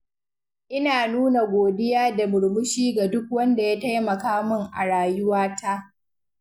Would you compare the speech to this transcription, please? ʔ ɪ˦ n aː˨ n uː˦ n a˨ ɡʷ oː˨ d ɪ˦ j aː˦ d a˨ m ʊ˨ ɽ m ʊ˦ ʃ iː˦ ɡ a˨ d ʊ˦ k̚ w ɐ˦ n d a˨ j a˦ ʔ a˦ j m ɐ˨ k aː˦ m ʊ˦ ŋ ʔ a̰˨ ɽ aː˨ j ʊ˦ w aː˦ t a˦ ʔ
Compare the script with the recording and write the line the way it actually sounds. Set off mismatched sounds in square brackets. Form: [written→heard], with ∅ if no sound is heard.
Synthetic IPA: ʔ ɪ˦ n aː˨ n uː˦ n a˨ ɡʷ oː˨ d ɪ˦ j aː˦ d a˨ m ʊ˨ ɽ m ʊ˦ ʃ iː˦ ɡ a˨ d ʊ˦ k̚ w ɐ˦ n d a˨ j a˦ [ʔ→t] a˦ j m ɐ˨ k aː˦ m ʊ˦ ŋ ʔ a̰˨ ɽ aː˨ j ʊ˦ w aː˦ t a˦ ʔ

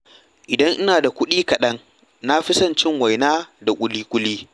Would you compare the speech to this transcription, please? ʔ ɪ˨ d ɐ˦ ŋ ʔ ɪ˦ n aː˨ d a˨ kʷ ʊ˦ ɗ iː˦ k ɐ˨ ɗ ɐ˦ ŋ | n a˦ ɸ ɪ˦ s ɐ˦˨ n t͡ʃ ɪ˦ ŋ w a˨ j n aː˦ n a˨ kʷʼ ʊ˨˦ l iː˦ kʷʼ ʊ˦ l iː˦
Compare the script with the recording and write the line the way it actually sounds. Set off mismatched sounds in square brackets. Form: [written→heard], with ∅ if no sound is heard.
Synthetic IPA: ʔ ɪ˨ d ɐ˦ ŋ ʔ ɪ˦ n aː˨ d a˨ kʷ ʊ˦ ɗ iː˦ k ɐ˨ ɗ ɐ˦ ŋ | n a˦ ɸ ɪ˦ s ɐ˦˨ n t͡ʃ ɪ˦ ŋ w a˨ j n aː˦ [n→d] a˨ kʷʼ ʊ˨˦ l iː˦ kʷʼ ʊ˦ l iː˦

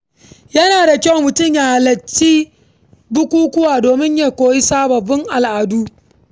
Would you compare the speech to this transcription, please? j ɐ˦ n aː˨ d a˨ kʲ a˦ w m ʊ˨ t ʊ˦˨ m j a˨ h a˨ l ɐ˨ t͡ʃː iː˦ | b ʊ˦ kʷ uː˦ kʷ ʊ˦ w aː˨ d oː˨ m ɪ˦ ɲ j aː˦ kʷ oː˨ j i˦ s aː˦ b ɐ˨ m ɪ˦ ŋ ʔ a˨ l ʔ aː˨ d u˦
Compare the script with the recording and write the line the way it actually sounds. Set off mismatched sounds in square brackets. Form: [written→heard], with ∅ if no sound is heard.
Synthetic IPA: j ɐ˦ n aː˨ d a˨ kʲ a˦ w m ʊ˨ t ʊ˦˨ m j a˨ h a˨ l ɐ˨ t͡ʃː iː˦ | b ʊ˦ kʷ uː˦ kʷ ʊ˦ w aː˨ d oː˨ m ɪ˦ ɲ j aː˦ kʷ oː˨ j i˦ s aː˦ b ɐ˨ [m→b] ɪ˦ ŋ ʔ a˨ l ʔ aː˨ d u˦

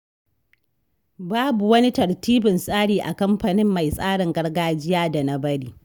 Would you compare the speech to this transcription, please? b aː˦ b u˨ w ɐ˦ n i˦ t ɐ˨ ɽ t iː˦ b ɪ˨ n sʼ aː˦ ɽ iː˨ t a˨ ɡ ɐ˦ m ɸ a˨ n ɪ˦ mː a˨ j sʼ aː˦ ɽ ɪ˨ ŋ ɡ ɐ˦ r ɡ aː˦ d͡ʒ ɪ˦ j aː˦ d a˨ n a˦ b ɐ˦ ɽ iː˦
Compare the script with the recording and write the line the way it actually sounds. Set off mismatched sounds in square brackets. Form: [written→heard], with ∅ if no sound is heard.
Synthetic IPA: b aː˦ b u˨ w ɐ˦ n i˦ t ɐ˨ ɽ t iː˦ b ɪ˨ n sʼ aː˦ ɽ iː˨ [t→ʔ] a˨ [ɡ→k] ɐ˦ m ɸ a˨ n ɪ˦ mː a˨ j sʼ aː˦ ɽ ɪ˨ ŋ ɡ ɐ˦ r ɡ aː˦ d͡ʒ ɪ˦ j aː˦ d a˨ n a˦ b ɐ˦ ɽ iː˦

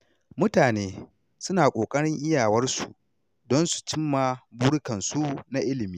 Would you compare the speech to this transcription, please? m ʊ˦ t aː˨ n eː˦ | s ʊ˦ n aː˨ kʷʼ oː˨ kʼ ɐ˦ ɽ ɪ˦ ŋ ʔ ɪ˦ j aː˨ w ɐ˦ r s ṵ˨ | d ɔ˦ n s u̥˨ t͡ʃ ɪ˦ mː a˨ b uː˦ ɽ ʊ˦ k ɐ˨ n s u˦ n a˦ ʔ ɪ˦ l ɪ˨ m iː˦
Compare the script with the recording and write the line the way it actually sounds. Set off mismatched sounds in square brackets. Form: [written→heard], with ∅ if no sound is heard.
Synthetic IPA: m ʊ˦ t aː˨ n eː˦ | s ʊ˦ n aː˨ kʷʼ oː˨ kʼ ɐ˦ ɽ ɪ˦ ŋ ʔ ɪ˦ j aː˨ w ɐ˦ r s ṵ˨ | d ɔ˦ n s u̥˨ t͡ʃ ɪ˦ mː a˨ b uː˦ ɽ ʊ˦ k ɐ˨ n s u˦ n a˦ ʔ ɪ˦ l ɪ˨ m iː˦

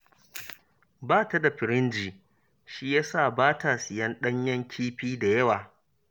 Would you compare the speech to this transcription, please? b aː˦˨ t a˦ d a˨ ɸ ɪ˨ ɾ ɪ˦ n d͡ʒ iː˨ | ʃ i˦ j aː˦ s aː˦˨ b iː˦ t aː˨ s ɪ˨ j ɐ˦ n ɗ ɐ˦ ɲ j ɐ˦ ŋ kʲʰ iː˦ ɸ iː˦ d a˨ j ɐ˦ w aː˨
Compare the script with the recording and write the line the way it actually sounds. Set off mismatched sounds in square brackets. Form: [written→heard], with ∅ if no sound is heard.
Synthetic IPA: b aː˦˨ t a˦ d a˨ ɸ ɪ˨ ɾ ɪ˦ n d͡ʒ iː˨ | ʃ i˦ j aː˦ s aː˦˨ b [iː˦→aː˦] t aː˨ s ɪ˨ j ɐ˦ n ɗ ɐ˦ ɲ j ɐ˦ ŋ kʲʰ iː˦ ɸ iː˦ d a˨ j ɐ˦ w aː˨

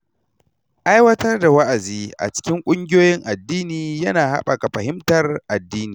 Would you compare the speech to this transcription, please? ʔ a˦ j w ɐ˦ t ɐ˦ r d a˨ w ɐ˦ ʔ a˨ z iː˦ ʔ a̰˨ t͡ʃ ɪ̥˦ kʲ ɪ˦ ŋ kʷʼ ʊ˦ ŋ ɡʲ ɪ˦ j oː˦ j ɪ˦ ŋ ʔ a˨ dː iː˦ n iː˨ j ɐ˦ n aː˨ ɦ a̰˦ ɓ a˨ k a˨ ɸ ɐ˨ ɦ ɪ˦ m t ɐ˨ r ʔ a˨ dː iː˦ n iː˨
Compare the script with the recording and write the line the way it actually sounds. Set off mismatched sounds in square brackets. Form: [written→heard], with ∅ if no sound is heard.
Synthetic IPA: ʔ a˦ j w ɐ˦ t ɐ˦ r d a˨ w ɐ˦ ʔ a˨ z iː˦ ʔ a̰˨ t͡ʃ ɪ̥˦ kʲ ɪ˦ ŋ kʷʼ ʊ˦ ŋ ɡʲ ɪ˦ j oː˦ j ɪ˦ ŋ ʔ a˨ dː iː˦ n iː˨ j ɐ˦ n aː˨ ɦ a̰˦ ɓ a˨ k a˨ ɸ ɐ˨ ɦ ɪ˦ m t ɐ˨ r ʔ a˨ dː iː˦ n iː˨

